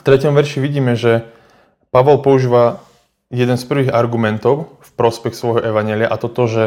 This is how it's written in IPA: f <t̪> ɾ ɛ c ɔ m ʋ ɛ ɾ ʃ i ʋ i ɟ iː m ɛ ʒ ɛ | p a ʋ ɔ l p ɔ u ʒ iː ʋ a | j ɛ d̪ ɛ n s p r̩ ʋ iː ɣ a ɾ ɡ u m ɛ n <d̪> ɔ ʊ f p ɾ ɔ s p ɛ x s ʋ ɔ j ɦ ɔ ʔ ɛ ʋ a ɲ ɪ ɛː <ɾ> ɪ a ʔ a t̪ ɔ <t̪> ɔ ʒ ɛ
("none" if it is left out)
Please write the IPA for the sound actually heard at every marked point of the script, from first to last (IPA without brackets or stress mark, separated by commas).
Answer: t̪, t̪, l, t̪